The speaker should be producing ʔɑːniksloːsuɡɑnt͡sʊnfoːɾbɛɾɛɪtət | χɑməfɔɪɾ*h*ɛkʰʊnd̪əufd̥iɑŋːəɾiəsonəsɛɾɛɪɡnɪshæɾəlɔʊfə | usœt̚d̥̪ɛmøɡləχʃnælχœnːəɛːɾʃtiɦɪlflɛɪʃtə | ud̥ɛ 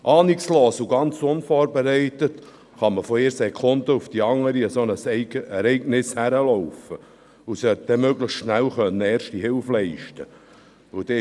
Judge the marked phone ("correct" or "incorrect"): incorrect